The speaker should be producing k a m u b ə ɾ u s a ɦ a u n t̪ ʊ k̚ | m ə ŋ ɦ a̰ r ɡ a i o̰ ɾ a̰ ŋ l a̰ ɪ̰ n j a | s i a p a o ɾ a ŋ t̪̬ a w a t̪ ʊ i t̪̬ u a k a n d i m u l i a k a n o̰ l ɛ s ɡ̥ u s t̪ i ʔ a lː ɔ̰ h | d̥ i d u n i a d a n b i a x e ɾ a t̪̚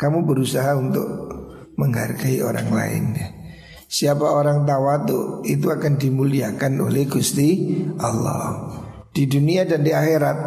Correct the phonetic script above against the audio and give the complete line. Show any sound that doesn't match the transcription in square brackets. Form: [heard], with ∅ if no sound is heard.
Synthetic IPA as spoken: k a m u b ə ɾ u s a ɦ a u n t̪ ʊ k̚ | m ə ŋ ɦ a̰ r ɡ a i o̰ ɾ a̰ ŋ l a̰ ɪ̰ n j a | s i a p a o ɾ a ŋ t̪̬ a w a t̪ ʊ i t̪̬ u a k a n d i m u l i a k a n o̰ l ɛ [h] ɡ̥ u s t̪ i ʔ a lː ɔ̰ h | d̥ i d u n i a d a n [d] i a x e ɾ a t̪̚